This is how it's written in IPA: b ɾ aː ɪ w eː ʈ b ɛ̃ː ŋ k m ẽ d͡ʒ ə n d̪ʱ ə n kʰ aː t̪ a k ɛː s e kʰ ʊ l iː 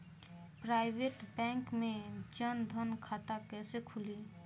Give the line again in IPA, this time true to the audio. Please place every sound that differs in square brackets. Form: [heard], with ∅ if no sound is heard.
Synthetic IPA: [p] ɾ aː ɪ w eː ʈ b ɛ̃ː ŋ k m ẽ d͡ʒ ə n d̪ʱ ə n kʰ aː t̪ a k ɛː s e kʰ ʊ l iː

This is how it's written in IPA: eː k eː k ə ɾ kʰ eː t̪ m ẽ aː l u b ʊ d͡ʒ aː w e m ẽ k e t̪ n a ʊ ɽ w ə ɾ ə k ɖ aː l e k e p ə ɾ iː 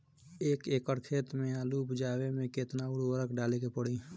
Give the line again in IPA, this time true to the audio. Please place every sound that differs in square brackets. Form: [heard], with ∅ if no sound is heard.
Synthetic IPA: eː k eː k ə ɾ kʰ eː t̪ m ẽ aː l u b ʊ d͡ʒ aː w e m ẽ k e t̪ n a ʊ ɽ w ə ɾ ə k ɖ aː l e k e p ə [ɽ] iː

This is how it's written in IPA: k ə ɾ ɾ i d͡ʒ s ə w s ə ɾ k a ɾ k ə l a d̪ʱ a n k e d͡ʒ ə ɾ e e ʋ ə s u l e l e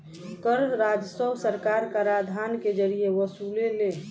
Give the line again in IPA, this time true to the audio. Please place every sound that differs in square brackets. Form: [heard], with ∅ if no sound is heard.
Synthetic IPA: k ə ɾ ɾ [a] d͡ʒ s ə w s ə ɾ k a ɾ k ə [ɾ] a d̪ʱ a n k e d͡ʒ ə ɾ [i] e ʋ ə s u l e l e

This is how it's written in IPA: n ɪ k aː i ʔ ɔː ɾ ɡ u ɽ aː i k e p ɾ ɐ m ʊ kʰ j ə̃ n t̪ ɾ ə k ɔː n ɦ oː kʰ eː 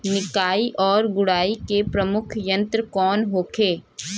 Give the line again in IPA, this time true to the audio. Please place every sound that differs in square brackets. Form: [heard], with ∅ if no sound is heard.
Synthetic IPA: n ɪ k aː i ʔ ɔː ɾ ɡ [ʊ] ɽ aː i k e p ɾ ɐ m ʊ kʰ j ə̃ n t̪ ɾ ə k ɔː n ɦ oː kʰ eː

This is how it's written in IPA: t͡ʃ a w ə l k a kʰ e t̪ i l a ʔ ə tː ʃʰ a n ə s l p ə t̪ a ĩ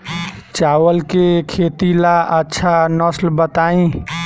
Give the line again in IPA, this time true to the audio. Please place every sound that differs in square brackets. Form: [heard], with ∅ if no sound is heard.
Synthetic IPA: t͡ʃ a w ə l k [e] kʰ e t̪ i l a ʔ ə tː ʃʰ a n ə s l [b] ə t̪ a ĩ

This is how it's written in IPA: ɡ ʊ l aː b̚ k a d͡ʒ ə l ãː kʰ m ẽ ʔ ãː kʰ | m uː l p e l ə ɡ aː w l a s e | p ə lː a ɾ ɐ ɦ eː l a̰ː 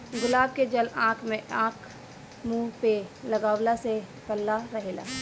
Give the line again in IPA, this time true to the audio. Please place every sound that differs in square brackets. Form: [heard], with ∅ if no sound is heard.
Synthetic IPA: ɡ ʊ l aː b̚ k [e] d͡ʒ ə l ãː kʰ m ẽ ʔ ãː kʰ | m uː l p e l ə ɡ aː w l a s e | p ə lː a ɾ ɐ ɦ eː l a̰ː

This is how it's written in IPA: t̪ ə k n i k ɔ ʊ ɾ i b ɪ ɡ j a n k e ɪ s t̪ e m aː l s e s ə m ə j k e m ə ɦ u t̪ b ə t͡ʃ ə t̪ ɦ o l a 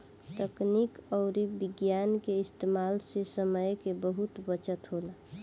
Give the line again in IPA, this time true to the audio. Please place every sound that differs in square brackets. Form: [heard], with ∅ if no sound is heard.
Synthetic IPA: t̪ ə k n i k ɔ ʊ ɾ i b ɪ ɡ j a n k e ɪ s t̪ e m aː l s e s ə m ə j k e [b] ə ɦ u t̪ b ə t͡ʃ ə t̪ ɦ o l a

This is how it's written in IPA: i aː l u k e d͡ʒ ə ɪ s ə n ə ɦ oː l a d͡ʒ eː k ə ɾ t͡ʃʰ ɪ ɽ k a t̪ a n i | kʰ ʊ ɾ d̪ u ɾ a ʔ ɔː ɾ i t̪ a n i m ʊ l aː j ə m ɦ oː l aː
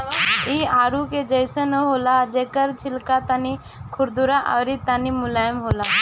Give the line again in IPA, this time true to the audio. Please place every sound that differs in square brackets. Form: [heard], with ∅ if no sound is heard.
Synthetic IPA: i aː [ɾ] u k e d͡ʒ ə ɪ s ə n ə ɦ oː l a d͡ʒ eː k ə ɾ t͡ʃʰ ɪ [l] k a t̪ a n i | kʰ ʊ ɾ d̪ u ɾ a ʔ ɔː ɾ i t̪ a n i m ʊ l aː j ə m ɦ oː l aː

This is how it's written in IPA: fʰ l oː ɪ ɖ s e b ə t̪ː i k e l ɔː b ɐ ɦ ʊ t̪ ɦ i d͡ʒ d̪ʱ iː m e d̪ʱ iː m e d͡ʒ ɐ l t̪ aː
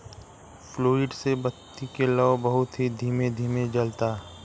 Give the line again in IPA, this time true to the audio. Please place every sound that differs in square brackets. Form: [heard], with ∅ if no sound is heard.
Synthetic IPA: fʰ l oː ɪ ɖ s e b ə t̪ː i k e l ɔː b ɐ ɦ ʊ t̪ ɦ i [∅] d̪ʱ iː m e d̪ʱ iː m e d͡ʒ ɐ l t̪ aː

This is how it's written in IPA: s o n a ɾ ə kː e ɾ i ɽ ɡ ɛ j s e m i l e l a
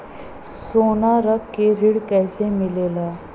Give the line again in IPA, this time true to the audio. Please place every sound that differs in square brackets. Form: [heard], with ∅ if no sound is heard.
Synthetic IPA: s o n a ɾ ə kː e ɾ i ɽ [k] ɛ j s e m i l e l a

